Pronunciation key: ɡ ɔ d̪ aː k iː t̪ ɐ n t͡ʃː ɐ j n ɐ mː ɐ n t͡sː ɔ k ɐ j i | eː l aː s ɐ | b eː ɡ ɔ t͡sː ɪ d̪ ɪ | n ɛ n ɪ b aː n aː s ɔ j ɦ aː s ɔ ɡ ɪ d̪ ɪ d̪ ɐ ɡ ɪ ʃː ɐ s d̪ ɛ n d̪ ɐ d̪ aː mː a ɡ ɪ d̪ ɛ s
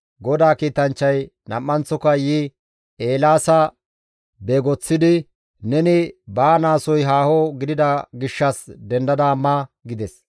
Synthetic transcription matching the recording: ɡ ɔ d̪ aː k iː t̪ ɐ n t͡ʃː ɐ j n ɐ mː ɐ n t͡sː ɔ k ɐ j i | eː l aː s ɐ | b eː ɡ ɔ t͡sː ɪ d̪ ɪ | n ɛ n ɪ b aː n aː s ɔ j ɦ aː h ɔ ɡ ɪ d̪ ɪ d̪ ɐ ɡ ɪ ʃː ɐ s d̪ ɛ n d̪ ɐ d̪ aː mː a ɡ ɪ d̪ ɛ s